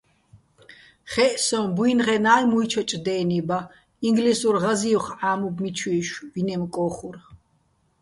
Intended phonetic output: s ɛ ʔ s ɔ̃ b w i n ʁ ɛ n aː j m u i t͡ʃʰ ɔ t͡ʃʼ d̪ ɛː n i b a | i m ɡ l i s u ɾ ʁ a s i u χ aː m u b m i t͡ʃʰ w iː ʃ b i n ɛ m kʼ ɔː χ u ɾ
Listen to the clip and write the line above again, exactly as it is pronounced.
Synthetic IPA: χ ɛ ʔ s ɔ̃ b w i n ʁ ɛ n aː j m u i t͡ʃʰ ɔ t͡ʃʼ d̪ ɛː n i b a | i ŋ ɡ l i s u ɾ ʁ a z i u χ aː m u b m i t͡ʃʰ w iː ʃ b i n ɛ m kʼ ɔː χ u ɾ